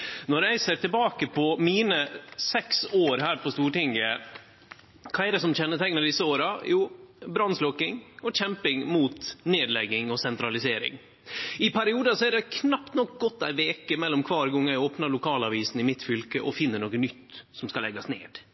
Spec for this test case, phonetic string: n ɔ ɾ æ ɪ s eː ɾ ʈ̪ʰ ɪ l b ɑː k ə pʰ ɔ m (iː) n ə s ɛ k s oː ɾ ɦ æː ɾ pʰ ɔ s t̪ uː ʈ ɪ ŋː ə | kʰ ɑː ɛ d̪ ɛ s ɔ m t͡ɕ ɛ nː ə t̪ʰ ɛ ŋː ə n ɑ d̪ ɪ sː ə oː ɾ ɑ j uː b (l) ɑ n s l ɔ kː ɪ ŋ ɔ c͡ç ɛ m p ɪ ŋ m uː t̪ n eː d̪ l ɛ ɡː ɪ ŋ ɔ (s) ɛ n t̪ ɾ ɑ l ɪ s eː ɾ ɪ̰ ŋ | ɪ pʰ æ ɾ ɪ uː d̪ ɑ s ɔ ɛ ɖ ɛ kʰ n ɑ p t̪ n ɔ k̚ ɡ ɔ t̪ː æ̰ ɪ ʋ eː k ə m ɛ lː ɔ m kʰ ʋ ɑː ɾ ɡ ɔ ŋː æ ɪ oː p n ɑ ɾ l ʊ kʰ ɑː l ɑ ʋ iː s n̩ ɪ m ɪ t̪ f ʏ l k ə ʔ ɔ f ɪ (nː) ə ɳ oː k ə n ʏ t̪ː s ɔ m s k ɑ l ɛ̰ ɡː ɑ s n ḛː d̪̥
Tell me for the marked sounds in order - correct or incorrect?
correct, incorrect: ɾ, correct, correct

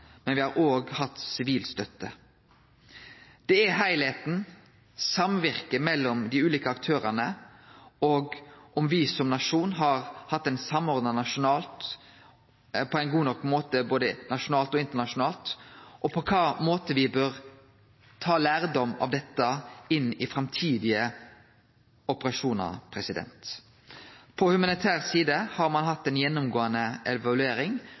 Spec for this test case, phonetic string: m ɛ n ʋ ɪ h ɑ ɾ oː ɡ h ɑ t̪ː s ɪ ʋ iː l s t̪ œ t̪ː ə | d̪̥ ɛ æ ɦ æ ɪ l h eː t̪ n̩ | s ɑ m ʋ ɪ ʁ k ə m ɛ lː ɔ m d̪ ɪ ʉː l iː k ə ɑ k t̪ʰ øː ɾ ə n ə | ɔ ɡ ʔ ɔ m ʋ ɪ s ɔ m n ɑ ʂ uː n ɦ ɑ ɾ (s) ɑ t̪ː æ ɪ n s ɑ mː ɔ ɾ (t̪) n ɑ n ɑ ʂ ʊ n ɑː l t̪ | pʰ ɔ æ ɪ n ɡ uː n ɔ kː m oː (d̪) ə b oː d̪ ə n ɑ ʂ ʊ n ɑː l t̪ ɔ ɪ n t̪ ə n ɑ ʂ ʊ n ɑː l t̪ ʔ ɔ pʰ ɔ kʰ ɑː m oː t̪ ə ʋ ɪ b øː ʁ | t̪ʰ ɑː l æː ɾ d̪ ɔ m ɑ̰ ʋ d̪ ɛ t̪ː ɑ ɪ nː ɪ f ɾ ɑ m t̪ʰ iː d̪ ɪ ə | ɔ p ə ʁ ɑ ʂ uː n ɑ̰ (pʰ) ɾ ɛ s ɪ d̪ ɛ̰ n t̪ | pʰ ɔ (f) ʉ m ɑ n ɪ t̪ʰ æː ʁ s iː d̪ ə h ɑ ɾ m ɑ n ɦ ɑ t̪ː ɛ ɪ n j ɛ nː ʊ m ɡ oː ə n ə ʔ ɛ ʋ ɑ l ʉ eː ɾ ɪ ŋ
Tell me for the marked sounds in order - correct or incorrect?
incorrect: h, incorrect: d̪, incorrect: t̪, correct, incorrect: h

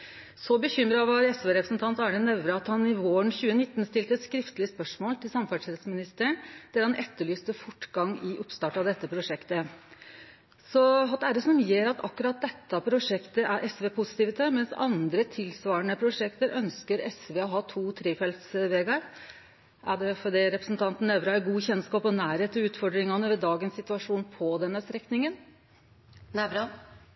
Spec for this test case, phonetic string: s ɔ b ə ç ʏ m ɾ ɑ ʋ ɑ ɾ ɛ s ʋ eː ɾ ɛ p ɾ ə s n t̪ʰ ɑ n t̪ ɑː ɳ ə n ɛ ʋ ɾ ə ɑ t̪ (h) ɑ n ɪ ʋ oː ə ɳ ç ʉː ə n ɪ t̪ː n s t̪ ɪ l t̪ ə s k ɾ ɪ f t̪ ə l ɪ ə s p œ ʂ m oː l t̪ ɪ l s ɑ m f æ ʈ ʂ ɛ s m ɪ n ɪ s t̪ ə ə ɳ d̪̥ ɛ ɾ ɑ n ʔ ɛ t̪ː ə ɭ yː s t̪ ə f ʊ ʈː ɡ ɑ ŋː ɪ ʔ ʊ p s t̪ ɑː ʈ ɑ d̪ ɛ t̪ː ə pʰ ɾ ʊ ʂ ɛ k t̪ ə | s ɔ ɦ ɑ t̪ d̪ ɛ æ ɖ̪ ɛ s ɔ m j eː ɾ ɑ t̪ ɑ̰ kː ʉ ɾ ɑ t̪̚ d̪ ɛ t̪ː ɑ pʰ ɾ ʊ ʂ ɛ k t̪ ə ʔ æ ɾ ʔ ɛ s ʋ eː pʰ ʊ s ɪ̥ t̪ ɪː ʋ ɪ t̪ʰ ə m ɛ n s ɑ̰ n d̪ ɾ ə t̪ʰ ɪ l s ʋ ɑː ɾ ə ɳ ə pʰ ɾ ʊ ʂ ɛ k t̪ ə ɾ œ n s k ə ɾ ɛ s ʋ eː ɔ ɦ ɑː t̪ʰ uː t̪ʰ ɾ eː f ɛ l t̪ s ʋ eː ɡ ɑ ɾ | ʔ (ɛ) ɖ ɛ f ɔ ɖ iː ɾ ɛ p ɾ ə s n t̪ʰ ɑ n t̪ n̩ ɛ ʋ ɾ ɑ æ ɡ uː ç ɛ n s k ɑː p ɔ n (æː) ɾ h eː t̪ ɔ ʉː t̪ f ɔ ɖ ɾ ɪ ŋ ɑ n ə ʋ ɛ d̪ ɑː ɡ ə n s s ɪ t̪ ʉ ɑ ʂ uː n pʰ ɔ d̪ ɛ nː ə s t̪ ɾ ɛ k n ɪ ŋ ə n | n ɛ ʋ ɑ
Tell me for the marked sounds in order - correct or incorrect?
correct, incorrect: æ, correct

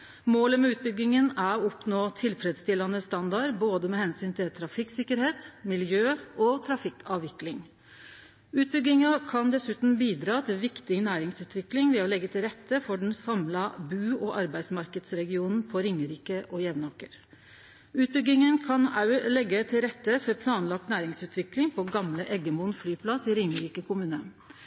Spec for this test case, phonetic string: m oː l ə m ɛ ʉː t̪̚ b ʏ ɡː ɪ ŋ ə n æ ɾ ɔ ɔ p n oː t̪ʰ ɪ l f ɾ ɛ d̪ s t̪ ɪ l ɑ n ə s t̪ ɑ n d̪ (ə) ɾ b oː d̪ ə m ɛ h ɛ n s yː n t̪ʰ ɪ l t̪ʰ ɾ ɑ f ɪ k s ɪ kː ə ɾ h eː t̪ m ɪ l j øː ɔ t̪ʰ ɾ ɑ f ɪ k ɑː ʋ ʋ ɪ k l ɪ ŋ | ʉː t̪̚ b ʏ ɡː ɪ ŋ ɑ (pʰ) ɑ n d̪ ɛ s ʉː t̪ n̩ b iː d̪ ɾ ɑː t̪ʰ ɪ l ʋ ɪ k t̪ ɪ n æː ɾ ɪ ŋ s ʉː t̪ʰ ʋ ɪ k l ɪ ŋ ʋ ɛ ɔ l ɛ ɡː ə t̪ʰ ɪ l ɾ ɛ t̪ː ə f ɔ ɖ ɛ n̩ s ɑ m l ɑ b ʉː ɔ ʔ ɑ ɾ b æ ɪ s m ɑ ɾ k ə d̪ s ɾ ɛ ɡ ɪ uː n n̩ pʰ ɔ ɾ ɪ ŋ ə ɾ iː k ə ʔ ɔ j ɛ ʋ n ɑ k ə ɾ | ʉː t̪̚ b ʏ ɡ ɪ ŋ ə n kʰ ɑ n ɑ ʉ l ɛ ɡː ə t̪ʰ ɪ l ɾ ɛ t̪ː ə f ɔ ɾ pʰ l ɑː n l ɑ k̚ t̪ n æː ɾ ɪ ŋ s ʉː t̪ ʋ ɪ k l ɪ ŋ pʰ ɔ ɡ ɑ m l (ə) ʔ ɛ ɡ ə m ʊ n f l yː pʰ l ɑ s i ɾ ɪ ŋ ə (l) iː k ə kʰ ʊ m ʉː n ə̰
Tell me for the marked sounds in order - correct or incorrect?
incorrect: ɑ, incorrect: kʰ, correct, incorrect: ɾ

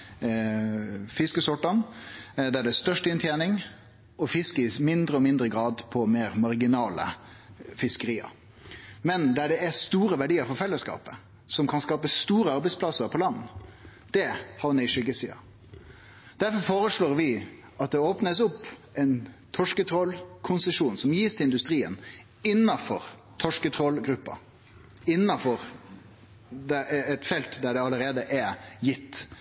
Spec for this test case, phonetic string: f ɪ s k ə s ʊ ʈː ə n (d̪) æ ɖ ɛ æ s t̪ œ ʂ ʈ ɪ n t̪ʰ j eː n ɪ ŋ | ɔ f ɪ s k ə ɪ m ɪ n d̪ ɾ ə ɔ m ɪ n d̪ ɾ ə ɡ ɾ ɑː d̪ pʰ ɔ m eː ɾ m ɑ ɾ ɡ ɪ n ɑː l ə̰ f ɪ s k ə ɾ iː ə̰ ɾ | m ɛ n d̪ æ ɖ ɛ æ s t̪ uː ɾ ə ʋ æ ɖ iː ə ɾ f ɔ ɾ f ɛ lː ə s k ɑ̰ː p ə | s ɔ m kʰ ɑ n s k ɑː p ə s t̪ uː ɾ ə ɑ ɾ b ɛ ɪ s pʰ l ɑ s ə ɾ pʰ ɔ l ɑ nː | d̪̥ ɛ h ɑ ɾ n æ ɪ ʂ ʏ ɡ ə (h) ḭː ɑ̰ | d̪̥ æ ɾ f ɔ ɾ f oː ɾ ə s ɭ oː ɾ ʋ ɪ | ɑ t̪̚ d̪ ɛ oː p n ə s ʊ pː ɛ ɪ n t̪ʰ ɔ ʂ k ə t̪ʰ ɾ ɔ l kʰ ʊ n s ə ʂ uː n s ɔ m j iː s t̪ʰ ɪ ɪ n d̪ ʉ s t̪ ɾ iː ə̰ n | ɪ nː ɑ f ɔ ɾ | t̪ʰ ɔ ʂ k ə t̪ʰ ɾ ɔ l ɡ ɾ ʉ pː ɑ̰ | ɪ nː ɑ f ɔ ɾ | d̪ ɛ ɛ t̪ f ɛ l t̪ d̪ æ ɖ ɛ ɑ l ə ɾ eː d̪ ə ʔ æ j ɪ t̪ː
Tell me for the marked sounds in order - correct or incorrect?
correct, incorrect: s

